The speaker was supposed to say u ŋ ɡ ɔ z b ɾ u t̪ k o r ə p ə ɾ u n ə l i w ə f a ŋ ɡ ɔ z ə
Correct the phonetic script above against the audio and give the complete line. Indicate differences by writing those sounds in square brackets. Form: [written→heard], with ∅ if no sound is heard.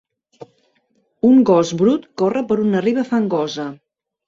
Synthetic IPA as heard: u ŋ ɡ ɔ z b ɾ u t̪ k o r ə p ə ɾ u n ə [l→r] i [w→β] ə f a ŋ ɡ ɔ z ə